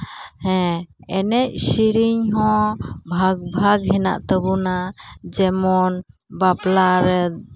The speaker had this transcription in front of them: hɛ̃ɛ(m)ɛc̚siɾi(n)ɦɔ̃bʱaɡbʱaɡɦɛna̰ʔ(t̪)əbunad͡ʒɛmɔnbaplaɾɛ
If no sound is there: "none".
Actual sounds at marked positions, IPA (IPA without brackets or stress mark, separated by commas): n, ɲ, t̪